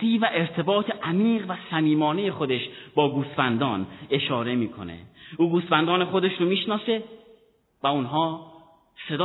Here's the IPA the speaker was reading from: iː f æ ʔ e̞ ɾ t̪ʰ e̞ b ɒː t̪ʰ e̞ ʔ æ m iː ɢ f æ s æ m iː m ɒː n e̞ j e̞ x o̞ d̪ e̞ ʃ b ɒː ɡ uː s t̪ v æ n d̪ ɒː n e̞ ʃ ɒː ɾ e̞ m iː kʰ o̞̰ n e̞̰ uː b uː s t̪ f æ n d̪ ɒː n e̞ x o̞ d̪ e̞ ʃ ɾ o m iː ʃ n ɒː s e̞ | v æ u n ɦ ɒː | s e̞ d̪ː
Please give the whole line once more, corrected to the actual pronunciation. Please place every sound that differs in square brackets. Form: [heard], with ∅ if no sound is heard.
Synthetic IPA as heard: iː [v] æ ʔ e̞ ɾ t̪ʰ e̞ b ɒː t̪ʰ e̞ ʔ æ m iː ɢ [v] æ s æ m iː m ɒː n e̞ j e̞ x o̞ d̪ e̞ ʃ b ɒː ɡ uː s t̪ [f] æ n d̪ ɒː n e̞ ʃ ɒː ɾ e̞ m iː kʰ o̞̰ n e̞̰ uː [ɡ] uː s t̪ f æ n d̪ ɒː n e̞ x o̞ d̪ e̞ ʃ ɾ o m iː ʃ n ɒː s e̞ | v æ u n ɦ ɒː | s e̞ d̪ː